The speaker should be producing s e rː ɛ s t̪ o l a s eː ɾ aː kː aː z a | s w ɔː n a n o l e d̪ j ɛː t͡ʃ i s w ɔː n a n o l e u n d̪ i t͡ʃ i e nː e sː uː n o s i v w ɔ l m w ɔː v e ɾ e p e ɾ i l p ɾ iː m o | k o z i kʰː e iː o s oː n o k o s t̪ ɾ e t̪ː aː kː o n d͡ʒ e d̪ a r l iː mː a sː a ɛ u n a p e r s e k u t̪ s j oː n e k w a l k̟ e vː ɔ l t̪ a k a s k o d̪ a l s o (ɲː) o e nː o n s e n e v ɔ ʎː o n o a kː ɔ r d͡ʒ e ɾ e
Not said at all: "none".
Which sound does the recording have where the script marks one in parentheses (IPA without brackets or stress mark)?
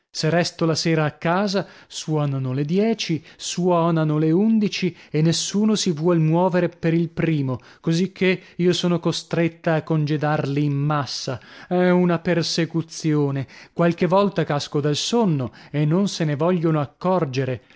nː